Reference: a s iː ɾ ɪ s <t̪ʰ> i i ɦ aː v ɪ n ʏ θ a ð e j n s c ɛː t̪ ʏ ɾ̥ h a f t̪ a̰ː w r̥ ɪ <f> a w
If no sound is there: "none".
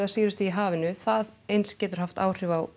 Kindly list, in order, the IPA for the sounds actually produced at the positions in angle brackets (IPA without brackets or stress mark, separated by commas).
t̪, v